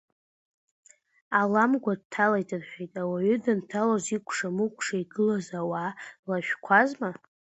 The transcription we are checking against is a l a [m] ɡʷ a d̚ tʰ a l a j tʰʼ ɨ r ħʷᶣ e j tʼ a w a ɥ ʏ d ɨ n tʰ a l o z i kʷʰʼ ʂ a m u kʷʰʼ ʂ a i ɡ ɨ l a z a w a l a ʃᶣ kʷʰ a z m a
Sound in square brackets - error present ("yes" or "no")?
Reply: no